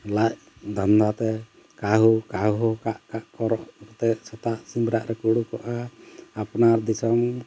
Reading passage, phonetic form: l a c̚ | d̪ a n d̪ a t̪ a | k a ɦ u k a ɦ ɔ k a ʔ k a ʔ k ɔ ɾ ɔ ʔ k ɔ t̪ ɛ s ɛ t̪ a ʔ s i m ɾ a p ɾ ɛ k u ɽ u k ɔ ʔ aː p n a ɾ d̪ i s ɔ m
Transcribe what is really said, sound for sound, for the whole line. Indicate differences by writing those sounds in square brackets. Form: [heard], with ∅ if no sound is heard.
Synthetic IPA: l a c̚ | d̪ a n d̪ a t̪ [ɛ] | k a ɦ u k a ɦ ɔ k a ʔ k a ʔ k ɔ ɾ ɔ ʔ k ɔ t̪ ɛ s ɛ t̪ a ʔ s i m ɾ a [ʔ] ɾ ɛ k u ɽ u k ɔ ʔ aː p n a ɾ d̪ i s ɔ m